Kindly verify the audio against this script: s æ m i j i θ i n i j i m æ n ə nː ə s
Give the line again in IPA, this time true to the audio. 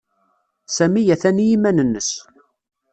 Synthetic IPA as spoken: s æ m i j æ θ æ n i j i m æ n ə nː ə s